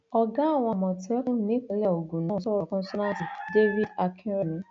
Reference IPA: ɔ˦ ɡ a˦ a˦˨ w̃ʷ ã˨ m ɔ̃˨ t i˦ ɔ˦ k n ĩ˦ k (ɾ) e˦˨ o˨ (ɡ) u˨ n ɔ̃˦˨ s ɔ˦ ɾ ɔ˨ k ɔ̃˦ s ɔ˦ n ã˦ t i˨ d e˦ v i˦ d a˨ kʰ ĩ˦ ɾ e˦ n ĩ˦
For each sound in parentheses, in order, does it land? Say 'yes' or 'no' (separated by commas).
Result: no, yes